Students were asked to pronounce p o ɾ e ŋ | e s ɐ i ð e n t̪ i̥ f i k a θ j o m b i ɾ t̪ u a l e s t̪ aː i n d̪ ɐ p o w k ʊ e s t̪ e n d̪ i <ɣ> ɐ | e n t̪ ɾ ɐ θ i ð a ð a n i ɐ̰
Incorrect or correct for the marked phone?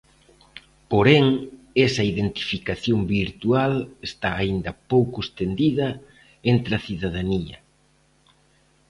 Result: incorrect: ð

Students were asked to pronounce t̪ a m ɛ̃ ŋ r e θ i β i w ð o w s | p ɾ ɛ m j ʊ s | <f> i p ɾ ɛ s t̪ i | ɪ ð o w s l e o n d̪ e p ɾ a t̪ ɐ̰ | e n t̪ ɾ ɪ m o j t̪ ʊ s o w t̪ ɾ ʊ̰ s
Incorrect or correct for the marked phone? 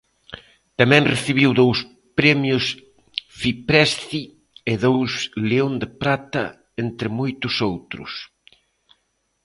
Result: correct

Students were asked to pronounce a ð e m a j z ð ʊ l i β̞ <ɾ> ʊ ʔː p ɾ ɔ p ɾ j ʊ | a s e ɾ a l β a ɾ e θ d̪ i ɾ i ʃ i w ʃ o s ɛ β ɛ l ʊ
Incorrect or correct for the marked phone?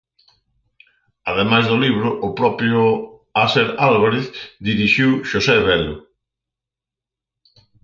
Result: correct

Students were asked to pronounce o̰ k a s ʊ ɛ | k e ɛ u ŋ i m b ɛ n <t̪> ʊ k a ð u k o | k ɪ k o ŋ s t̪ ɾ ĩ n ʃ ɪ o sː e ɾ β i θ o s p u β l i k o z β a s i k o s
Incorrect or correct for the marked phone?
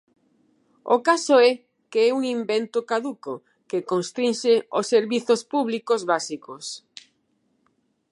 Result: correct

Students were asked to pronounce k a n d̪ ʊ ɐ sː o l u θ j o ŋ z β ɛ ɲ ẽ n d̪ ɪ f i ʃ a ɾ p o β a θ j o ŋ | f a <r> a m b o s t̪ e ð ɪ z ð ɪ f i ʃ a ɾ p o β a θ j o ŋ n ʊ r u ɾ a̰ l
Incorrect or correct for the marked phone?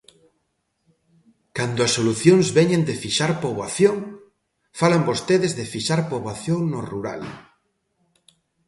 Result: incorrect: l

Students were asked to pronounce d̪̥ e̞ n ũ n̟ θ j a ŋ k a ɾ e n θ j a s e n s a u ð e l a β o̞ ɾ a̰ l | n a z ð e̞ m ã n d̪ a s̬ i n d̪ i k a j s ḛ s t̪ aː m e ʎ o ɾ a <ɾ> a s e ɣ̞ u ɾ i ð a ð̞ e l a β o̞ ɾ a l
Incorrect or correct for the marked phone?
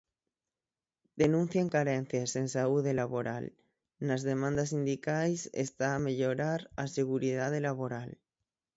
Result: correct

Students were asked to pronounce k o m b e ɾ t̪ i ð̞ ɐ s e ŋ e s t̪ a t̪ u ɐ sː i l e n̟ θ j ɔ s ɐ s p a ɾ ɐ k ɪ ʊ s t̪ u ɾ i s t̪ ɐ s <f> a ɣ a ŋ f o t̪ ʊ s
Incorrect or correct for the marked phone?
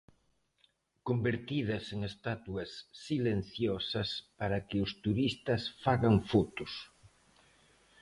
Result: correct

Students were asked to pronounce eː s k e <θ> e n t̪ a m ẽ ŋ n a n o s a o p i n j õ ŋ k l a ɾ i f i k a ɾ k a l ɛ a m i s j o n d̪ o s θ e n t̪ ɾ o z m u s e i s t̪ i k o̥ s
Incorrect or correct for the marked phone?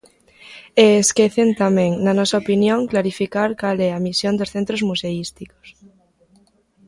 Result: correct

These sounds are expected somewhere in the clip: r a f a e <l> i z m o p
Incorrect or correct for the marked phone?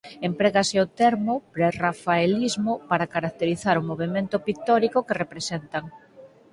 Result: correct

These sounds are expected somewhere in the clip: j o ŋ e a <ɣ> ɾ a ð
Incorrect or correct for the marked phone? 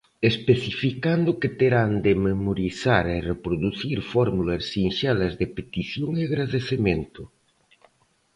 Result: correct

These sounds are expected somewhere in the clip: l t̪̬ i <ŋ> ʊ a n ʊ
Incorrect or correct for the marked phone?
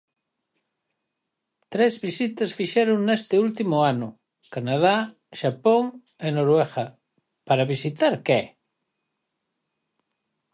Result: incorrect: m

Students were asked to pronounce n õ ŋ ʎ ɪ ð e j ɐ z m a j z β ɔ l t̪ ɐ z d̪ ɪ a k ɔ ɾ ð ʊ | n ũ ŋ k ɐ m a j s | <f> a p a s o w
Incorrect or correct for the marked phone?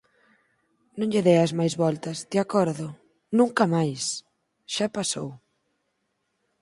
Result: incorrect: ʃ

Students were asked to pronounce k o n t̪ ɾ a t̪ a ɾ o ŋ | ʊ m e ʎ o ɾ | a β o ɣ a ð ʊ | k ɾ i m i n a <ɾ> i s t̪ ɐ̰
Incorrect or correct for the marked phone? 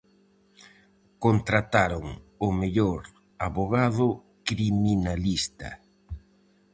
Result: incorrect: l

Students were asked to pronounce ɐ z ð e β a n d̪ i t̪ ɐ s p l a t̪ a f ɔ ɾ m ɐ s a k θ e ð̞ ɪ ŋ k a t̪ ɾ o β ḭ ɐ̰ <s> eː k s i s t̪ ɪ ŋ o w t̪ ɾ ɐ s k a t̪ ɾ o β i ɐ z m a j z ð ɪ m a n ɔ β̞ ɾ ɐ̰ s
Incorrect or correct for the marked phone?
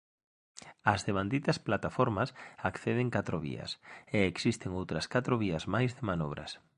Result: correct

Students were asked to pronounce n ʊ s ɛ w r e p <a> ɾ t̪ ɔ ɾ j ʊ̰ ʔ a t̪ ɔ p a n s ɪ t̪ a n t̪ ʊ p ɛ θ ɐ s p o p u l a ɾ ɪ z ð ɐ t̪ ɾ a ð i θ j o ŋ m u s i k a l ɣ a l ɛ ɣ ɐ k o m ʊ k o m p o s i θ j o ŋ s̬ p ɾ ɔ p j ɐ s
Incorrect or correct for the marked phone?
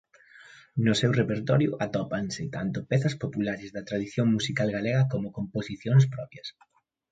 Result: incorrect: e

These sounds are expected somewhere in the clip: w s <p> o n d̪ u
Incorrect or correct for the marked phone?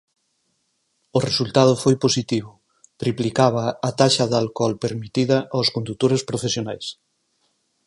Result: incorrect: k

